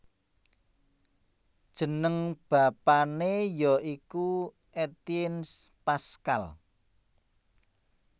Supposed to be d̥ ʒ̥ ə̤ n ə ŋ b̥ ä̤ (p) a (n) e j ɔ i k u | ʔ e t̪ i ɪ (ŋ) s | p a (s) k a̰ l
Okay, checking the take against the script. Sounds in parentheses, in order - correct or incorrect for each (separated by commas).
correct, correct, incorrect, correct